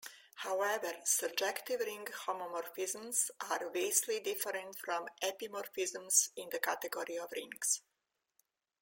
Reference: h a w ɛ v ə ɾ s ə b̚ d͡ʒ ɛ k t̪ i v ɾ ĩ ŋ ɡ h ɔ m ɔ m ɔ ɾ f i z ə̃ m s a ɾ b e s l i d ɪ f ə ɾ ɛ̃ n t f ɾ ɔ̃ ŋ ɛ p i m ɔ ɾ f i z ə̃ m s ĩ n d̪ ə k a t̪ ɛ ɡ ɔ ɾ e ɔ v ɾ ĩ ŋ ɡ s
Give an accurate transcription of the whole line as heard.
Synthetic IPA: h a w ɛ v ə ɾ s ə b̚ d͡ʒ ɛ k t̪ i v ɾ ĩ ŋ ɡ h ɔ m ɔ m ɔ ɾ f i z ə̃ m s a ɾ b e s l i d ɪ f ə ɾ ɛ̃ n t f ɾ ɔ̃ m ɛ p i m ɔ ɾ f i z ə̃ m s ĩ n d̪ ə k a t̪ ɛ ɡ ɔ ɾ i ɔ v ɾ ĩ ŋ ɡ s